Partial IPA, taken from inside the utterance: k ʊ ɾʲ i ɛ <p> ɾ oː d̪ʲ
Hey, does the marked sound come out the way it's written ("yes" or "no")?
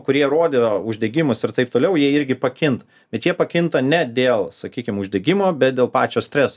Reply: no